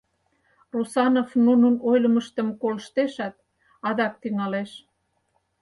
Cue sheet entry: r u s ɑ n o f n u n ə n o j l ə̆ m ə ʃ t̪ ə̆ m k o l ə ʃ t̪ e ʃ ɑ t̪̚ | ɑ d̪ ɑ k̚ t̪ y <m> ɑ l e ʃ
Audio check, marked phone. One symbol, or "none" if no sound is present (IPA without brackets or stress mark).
ŋ